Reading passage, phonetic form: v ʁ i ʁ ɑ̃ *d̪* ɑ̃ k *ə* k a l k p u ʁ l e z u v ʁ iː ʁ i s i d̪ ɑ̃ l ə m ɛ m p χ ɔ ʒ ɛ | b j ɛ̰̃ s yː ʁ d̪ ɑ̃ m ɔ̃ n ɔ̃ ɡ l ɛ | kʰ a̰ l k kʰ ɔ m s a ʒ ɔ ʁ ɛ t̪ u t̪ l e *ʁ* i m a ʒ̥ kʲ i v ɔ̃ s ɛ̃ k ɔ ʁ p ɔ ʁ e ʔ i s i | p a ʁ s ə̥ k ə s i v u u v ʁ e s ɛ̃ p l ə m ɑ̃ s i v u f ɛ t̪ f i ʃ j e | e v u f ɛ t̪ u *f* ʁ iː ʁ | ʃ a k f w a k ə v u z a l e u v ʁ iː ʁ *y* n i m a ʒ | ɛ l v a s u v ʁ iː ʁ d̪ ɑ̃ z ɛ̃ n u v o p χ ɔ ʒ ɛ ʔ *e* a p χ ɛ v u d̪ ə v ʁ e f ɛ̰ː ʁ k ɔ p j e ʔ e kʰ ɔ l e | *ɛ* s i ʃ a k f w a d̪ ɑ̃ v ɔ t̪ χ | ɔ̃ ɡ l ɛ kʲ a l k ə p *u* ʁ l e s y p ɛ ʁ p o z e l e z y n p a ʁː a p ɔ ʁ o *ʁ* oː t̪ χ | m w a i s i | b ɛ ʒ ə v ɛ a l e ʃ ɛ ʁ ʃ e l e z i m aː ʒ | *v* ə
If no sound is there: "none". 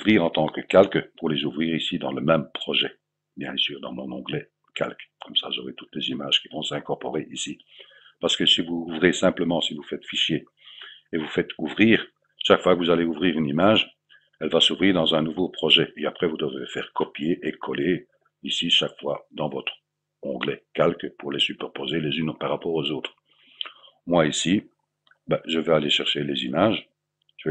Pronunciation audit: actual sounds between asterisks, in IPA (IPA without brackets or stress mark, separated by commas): t̪, ə, z, v, y, e, i, u, z, ʒ